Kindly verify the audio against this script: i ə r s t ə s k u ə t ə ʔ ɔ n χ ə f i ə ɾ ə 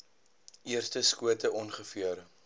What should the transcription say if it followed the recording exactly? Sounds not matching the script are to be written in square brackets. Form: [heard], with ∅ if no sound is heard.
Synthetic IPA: i ə r s t ə s k u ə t ə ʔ ɔ n χ ə f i ə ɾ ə